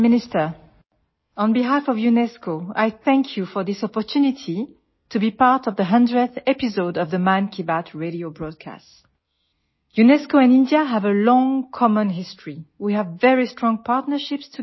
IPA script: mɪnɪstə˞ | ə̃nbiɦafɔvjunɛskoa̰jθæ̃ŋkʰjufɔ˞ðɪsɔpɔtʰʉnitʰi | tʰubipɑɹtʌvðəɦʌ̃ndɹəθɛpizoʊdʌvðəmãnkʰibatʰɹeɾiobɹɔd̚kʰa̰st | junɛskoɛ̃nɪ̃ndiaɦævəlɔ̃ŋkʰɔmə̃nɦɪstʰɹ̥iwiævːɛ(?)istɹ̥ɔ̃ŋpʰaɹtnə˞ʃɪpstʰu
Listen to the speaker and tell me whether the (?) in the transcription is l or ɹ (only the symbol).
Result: ɹ